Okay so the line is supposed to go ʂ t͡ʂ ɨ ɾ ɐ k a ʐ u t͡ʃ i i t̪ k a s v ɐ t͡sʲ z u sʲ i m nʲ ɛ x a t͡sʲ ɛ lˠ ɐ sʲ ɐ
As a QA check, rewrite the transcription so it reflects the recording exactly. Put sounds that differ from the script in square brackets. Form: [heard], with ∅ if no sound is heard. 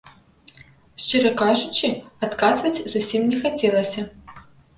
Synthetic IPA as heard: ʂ t͡ʂ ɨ ɾ ɐ k a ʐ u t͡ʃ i [a] t̪ k a [z] v ɐ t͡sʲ z u sʲ i m nʲ ɛ x a t͡sʲ ɛ lˠ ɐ sʲ ɐ